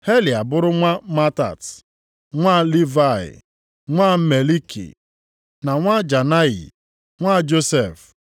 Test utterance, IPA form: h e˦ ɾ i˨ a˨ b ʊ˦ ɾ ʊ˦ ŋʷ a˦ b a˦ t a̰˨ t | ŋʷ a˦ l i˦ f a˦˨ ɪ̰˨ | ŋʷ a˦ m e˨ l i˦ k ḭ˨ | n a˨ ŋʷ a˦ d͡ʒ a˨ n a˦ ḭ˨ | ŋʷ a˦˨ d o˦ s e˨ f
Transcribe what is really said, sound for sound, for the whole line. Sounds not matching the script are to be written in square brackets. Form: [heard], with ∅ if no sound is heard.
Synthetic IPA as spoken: h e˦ [l] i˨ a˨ b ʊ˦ ɾ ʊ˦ ŋʷ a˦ [m] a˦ t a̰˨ t | ŋʷ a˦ l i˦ [v] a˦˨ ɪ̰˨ | ŋʷ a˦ m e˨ l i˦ k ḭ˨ | n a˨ ŋʷ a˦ d͡ʒ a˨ n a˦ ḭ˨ | ŋʷ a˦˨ [d͡ʒ] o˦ s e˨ f